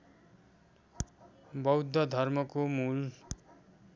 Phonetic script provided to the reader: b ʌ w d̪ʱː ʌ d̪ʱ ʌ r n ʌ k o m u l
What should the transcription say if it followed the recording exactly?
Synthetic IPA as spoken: b ʌ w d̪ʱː ʌ d̪ʱ ʌ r m ʌ k o m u l